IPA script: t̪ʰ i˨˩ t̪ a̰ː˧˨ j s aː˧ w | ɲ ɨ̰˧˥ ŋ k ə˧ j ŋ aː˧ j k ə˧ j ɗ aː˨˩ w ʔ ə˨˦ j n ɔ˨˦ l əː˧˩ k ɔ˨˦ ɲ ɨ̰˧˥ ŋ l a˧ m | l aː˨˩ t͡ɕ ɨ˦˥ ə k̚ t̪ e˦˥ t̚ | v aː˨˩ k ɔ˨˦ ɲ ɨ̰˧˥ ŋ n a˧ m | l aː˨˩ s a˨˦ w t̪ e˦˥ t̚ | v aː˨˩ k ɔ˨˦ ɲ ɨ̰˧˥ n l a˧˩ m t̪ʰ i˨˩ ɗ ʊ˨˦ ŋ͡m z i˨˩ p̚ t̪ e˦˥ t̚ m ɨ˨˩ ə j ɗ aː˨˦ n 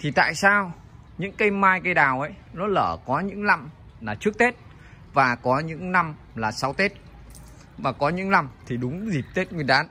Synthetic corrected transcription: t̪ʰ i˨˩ t̪ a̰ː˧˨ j s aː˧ w | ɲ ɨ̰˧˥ ŋ k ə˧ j m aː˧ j k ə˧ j ɗ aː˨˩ w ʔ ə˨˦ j n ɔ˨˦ l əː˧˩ k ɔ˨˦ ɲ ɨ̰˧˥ ŋ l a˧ m | l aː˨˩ t͡ɕ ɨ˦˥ ə k̚ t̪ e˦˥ t̚ | v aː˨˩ k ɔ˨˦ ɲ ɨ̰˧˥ ŋ n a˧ m | l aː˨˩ s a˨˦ w t̪ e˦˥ t̚ | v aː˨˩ k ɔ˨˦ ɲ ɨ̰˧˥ ŋ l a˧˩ m t̪ʰ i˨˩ ɗ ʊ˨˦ ŋ͡m z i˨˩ p̚ t̪ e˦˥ t̚ ŋ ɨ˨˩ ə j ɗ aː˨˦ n